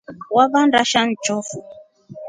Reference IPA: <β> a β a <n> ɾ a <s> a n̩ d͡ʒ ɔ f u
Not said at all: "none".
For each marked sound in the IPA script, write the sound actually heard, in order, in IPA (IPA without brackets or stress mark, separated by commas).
w, n, ʃ